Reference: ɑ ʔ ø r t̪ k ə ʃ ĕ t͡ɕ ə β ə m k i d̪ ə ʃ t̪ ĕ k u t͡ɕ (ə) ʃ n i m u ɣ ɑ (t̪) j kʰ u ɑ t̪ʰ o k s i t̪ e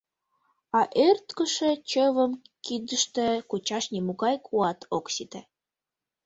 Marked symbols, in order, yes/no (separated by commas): no, no